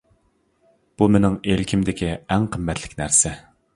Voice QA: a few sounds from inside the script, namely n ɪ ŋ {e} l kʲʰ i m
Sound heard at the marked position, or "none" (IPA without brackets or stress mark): e